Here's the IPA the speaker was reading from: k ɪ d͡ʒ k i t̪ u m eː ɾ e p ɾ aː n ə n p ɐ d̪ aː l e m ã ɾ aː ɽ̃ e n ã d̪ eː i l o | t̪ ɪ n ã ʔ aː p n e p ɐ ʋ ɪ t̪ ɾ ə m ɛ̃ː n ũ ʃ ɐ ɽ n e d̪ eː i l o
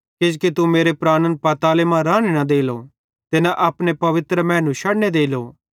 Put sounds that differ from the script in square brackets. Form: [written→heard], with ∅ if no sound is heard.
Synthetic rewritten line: k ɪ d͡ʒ k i t̪ u m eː ɾ e p ɾ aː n ə n p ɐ [d̪→t̪] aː l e m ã ɾ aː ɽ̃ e n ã d̪ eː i l o | t̪ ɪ n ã ʔ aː p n e p ɐ ʋ ɪ t̪ ɾ ə m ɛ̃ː n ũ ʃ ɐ ɽ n e d̪ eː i l o